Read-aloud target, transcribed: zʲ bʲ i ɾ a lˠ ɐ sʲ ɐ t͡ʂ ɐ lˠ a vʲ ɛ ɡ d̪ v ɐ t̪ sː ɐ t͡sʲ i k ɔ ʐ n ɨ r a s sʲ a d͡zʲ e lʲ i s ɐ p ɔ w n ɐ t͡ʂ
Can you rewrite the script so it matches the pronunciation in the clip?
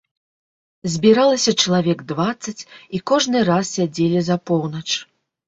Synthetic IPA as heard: zʲ bʲ i ɾ a lˠ ɐ sʲ ɐ t͡ʂ ɐ lˠ a vʲ ɛ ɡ d̪ v a t̪ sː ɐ t͡sʲ i k ɔ ʐ n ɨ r a s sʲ a d͡zʲ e lʲ i z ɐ p ɔ w n ɐ t͡ʂ